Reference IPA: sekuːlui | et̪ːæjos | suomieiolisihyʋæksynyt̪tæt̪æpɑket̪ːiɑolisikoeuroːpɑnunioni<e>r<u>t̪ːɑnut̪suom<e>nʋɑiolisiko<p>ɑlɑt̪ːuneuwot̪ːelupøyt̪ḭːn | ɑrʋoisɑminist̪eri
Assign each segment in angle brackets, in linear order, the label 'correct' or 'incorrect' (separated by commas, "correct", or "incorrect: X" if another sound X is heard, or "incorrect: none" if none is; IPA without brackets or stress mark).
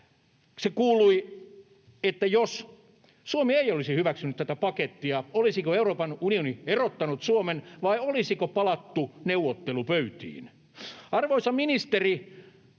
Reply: correct, incorrect: o, correct, correct